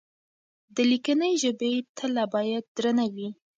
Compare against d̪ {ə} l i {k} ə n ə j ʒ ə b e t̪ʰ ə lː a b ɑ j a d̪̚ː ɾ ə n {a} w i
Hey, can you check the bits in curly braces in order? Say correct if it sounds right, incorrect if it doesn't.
correct, correct, correct

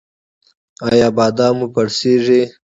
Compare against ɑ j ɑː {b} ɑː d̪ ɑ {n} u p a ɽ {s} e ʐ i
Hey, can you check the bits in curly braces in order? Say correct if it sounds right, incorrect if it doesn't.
correct, incorrect, correct

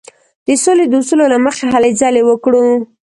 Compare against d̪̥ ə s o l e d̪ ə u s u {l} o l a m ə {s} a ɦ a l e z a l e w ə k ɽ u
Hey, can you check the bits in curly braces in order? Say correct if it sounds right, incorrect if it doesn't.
correct, incorrect

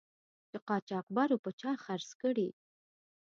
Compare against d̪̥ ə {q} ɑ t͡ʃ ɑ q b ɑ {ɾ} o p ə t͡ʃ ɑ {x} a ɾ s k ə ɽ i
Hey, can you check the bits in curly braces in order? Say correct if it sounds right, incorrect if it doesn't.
correct, correct, correct

